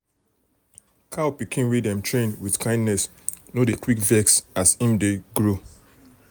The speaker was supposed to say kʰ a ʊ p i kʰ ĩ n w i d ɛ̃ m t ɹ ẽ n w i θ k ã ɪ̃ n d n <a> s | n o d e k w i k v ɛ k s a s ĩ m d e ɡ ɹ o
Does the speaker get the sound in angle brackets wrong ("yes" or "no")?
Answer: yes